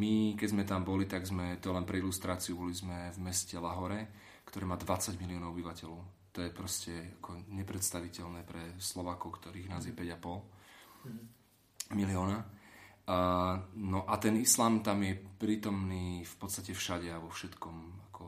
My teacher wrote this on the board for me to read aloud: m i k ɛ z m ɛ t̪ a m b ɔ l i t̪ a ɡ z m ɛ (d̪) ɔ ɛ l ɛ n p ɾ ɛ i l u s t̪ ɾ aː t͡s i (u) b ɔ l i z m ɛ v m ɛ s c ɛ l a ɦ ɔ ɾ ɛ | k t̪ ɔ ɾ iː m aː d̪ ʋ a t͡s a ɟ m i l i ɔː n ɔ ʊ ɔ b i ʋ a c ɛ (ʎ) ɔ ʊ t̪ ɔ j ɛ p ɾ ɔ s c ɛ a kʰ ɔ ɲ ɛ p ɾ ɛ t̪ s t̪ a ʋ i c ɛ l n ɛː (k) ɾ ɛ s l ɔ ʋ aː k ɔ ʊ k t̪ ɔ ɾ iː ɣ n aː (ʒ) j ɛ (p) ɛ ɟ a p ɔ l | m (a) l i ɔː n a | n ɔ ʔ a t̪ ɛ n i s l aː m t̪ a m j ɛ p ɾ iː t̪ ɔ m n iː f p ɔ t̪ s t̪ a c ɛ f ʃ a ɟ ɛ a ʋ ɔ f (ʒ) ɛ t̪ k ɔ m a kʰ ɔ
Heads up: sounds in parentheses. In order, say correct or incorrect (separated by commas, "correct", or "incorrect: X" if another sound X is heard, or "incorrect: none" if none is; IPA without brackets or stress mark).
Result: incorrect: t̪, correct, incorrect: l, incorrect: p, incorrect: z, correct, incorrect: i, incorrect: ʃ